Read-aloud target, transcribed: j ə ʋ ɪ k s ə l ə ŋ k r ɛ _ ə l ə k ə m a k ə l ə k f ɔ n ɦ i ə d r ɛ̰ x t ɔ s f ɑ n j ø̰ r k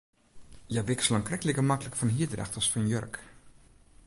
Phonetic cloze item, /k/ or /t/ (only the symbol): k